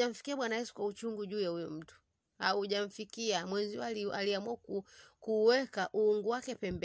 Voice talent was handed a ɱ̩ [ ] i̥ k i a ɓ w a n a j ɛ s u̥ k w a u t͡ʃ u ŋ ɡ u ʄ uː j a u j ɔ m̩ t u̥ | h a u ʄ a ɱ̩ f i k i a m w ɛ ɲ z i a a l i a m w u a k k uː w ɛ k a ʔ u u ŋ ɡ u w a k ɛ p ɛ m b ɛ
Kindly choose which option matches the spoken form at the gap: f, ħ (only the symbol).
f